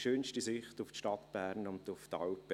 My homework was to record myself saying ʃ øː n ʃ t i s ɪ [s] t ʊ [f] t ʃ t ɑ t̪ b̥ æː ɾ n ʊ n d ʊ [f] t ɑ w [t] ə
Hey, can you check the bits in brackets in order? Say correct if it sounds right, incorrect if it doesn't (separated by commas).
incorrect, correct, correct, incorrect